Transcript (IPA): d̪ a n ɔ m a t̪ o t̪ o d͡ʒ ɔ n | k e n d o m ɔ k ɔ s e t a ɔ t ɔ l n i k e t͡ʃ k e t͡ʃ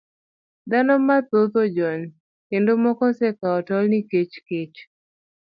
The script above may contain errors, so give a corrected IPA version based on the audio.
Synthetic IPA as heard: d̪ a n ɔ m a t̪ o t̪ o d͡ʒ ɔ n | k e n d o m ɔ k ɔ s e k a ɔ t ɔ l n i k e t͡ʃ k e t͡ʃ